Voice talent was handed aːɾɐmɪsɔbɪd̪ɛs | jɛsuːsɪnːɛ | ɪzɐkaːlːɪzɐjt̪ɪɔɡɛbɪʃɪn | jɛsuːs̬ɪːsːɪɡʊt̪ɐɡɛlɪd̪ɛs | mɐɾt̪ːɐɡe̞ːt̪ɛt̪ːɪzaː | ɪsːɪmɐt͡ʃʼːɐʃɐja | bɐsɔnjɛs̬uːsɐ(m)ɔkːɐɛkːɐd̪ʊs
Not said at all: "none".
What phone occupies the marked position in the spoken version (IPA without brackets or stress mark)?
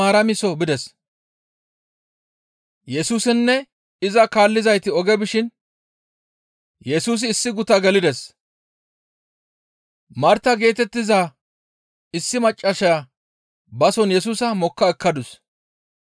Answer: m